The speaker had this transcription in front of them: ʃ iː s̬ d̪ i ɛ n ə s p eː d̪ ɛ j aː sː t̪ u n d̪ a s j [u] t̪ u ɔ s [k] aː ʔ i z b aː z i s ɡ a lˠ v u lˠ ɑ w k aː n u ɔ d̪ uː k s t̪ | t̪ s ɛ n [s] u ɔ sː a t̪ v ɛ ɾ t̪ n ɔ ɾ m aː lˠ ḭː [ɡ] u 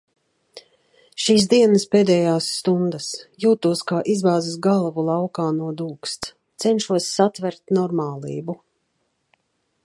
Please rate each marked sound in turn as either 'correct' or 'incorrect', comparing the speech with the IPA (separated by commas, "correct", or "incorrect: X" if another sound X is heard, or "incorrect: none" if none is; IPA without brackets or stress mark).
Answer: incorrect: uː, correct, incorrect: ʃ, incorrect: b